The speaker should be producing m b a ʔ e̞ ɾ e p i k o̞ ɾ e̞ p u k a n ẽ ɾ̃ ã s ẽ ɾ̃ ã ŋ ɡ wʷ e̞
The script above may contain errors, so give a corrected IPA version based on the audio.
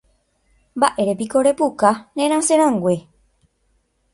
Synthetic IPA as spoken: m b a ʔ e̞ ɾ e p i k o̞ ɾ e̞ p u k a n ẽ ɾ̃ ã s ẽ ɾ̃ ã ŋ ɡ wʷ e̞

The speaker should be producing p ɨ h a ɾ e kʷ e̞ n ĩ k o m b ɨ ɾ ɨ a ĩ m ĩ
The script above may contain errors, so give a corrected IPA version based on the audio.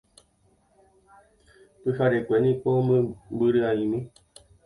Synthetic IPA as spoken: p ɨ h a ɾ e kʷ e̞ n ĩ k o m b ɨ ɾ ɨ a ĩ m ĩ

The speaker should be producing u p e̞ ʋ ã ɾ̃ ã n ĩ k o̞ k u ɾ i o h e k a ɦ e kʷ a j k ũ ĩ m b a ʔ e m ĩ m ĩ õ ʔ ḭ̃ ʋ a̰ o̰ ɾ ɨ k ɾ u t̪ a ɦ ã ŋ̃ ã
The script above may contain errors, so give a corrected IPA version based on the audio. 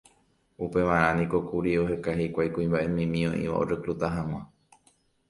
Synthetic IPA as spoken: u p e̞ ʋ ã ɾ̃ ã n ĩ k o̞ k u ɾ i o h e k a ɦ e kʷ a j k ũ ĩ m b a ʔ e m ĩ m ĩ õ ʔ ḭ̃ ʋ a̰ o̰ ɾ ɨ k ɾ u t̪ a ɦ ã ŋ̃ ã

